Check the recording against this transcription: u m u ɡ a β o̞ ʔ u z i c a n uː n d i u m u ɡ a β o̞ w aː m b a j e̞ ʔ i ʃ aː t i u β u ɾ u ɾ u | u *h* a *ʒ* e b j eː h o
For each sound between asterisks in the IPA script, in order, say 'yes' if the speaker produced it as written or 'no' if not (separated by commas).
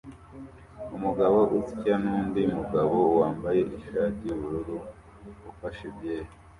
no, no